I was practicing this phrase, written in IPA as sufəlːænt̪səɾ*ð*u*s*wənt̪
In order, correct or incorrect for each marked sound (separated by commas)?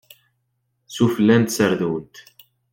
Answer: correct, incorrect